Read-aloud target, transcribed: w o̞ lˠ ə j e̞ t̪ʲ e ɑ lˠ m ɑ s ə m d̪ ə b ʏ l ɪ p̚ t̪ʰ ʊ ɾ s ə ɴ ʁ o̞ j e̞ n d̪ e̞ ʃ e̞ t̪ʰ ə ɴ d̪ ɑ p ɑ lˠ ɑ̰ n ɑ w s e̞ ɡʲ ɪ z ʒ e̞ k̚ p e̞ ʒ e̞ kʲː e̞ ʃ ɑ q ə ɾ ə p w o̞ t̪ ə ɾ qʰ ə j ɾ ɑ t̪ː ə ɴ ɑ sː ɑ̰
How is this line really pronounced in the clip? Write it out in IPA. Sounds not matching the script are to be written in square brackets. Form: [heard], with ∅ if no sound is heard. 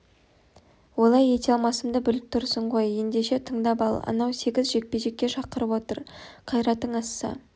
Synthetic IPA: w o̞ lˠ [ɑ] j e̞ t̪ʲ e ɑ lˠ m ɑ s ə m d̪ ə b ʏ l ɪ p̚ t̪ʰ ʊ ɾ s ə ɴ ʁ o̞ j e̞ n d̪ e̞ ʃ e̞ t̪ʰ ə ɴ d̪ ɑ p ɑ lˠ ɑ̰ n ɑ w s e̞ ɡʲ ɪ z ʒ e̞ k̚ p e̞ ʒ e̞ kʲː e̞ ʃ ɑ q ə ɾ ə p w o̞ t̪ ə ɾ qʰ [ɑ] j ɾ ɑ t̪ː ə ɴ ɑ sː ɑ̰